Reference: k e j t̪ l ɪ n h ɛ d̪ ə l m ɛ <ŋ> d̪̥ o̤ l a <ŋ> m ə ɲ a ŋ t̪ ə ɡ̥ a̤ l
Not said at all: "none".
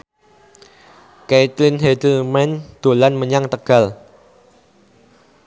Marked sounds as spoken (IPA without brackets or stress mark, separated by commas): n, n